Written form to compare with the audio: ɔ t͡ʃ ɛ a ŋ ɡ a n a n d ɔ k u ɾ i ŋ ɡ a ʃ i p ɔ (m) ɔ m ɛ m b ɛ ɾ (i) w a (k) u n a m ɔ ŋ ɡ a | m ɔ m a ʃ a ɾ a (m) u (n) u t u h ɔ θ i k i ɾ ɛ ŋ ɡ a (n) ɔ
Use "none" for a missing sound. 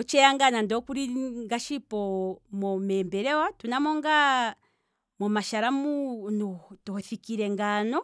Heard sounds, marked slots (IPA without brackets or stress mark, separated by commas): m, ɛ, t, m, n, n